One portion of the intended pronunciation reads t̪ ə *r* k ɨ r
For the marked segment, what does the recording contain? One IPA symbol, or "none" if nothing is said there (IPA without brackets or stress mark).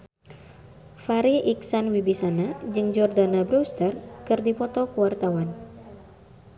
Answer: r